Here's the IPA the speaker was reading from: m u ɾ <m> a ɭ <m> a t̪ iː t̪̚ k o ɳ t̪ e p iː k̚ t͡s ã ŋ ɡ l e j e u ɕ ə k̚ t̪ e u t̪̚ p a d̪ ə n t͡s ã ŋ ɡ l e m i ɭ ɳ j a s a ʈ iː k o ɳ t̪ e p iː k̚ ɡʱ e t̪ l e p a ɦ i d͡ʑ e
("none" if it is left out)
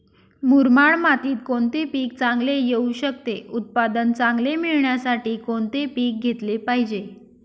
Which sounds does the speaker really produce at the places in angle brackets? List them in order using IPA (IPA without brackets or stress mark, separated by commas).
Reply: m, m